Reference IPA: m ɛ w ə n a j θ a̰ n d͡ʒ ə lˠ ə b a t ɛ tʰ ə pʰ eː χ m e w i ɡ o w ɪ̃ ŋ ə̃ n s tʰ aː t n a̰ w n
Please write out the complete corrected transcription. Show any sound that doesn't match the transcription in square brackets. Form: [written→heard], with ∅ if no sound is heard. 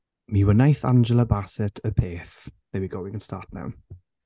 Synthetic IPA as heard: m [ɛ→i] w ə n a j θ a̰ n d͡ʒ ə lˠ ə b a [t→s] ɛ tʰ ə pʰ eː [χ→θ] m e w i ɡ o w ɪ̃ ŋ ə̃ n s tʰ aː t n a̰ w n